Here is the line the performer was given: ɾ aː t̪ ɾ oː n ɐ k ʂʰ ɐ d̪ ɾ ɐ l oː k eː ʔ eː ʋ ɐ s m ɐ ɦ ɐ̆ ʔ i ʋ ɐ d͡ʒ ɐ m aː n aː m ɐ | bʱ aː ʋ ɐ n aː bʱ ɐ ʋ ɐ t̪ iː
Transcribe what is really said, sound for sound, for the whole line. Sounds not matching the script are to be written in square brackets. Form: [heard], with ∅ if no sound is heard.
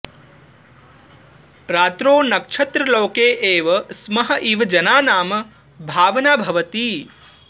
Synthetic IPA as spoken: ɾ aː t̪ ɾ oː n ɐ k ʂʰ ɐ [t̪] ɾ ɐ l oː k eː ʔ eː ʋ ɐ s m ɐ ɦ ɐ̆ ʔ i ʋ ɐ d͡ʒ ɐ [n] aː n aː m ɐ | bʱ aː ʋ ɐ n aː bʱ ɐ ʋ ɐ t̪ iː